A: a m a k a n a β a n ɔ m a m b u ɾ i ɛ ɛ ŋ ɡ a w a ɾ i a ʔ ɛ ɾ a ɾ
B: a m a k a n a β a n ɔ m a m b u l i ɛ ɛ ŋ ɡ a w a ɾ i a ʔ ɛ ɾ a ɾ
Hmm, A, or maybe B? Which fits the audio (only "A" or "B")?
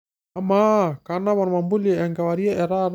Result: B